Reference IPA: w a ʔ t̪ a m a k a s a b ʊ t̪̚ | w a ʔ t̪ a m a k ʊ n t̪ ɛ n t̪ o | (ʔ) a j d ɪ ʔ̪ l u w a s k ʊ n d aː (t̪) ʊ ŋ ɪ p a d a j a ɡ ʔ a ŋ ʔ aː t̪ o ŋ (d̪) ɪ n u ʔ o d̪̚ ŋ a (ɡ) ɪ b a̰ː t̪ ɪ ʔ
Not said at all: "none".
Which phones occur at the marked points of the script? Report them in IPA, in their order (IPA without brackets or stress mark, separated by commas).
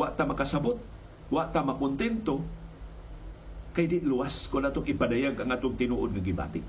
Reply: k, t̪, t̪, ɡ